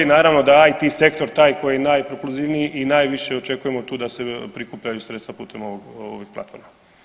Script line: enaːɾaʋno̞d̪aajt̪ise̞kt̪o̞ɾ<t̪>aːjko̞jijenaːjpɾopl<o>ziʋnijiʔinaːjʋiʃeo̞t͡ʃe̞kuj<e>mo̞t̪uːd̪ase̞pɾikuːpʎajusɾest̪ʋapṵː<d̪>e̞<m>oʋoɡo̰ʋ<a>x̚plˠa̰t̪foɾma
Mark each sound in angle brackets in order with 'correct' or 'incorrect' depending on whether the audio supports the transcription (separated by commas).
correct, incorrect, correct, incorrect, correct, incorrect